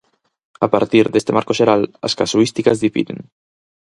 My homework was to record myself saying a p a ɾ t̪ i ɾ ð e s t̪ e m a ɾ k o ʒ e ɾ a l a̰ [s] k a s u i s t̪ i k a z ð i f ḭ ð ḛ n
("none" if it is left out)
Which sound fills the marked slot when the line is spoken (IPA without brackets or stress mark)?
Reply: s